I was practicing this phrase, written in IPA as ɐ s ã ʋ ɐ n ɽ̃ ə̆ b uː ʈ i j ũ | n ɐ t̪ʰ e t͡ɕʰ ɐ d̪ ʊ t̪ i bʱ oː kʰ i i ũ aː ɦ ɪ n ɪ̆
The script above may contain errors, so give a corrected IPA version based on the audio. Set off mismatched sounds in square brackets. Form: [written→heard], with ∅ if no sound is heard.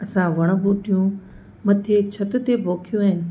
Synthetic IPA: ɐ s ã ʋ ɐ [n→∅] ɽ̃ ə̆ b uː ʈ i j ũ | [n→m] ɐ t̪ʰ e t͡ɕʰ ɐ [d̪→t̪] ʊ t̪ [i→e] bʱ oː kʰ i [i→j] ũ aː ɦ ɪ n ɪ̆